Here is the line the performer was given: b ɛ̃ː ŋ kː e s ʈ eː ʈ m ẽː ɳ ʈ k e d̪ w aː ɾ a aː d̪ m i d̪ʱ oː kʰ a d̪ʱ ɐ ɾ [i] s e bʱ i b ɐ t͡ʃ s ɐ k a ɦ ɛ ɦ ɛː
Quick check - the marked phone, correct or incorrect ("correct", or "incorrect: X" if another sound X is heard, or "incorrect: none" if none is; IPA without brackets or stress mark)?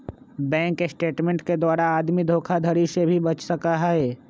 correct